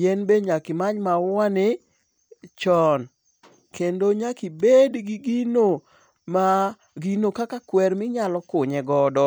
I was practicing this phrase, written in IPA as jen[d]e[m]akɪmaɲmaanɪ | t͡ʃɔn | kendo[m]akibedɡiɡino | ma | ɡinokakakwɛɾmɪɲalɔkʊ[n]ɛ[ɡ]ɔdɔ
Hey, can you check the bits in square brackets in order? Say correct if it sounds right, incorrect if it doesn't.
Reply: incorrect, incorrect, incorrect, incorrect, correct

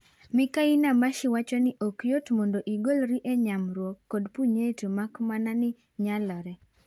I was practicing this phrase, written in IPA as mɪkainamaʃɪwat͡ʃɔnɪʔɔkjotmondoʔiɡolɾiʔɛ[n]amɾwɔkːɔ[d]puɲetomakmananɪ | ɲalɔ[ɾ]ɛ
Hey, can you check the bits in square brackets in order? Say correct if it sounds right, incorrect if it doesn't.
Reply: incorrect, correct, correct

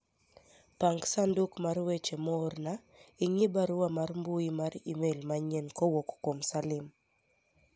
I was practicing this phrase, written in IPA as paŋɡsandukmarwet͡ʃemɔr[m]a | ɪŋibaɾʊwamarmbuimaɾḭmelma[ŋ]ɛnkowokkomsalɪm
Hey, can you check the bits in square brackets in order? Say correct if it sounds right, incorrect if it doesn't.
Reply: incorrect, incorrect

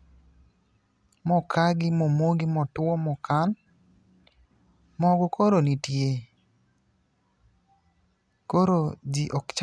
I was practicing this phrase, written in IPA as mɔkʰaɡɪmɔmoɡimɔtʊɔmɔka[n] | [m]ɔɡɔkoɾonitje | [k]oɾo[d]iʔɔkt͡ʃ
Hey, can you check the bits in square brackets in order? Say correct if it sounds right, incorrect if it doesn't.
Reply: correct, correct, correct, incorrect

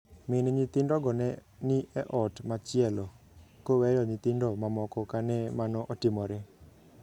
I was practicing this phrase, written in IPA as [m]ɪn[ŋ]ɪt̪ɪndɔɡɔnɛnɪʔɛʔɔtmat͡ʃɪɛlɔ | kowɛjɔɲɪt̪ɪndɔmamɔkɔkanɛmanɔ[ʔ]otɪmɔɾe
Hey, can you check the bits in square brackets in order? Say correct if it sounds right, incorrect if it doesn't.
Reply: correct, incorrect, correct

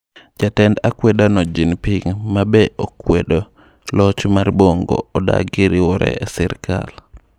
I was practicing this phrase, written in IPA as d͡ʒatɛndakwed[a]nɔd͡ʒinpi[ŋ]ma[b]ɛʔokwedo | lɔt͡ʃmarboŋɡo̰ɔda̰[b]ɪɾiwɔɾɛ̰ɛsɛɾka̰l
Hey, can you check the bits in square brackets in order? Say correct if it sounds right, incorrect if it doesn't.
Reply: correct, correct, correct, incorrect

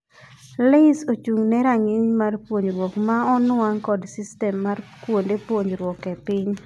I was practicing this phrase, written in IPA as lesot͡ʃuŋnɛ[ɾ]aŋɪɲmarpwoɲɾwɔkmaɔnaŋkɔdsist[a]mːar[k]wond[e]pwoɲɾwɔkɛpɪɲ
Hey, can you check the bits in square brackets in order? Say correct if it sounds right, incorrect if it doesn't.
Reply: correct, incorrect, correct, correct

